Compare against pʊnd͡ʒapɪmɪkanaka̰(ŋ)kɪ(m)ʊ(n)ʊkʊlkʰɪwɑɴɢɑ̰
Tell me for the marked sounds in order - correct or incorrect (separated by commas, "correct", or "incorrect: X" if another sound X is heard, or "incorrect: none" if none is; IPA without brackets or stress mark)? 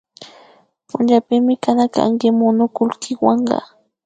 correct, correct, correct